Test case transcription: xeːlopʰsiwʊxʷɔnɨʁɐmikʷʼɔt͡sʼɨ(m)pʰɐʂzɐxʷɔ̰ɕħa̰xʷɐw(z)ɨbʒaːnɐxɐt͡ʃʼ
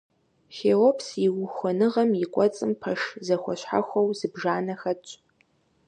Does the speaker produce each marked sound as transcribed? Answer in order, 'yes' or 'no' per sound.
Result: yes, yes

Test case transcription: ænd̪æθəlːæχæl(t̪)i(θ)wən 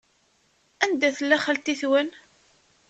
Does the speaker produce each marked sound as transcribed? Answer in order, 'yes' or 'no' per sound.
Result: yes, yes

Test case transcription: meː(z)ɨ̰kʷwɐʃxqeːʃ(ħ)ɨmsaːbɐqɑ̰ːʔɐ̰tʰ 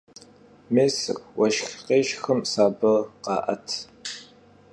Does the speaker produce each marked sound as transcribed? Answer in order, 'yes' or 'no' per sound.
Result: no, no

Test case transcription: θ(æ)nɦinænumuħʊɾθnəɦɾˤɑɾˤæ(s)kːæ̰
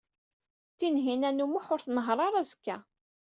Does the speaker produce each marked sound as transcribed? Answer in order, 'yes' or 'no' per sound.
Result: no, no

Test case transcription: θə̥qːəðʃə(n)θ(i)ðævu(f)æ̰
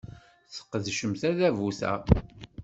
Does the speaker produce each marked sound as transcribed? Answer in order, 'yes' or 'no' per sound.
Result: no, no, no

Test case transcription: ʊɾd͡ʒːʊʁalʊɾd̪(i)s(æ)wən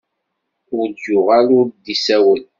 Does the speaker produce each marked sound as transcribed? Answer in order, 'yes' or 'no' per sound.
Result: yes, yes

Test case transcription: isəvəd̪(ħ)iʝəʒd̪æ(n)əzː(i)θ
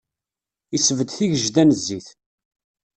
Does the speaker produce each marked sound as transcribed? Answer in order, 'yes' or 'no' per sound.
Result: no, yes, yes

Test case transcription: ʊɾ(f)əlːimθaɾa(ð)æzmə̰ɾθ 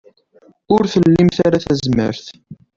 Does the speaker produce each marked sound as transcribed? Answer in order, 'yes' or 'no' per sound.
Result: no, no

